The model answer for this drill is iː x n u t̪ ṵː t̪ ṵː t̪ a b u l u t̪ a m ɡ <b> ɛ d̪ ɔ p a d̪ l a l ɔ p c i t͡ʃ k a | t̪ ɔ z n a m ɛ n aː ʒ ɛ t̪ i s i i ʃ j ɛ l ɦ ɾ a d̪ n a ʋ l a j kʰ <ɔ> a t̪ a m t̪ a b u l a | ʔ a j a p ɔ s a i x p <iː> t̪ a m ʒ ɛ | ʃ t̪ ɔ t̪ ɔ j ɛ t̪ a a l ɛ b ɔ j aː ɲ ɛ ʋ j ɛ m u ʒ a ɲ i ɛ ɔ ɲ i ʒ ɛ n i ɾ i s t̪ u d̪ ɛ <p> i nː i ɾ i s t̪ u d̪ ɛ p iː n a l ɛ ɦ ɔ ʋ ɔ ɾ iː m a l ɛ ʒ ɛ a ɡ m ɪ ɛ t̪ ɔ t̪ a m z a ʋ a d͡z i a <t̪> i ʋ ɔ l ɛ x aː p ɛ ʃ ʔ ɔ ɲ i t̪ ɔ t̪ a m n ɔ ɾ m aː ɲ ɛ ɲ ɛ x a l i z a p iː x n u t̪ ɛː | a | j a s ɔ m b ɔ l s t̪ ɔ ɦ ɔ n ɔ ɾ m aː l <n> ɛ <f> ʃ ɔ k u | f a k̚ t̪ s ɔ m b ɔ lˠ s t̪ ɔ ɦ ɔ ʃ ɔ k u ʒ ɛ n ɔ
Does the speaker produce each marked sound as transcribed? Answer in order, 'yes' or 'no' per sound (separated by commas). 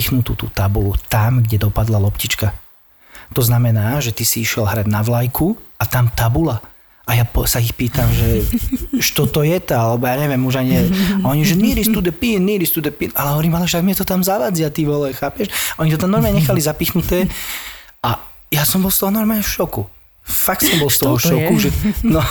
no, no, yes, yes, yes, no, yes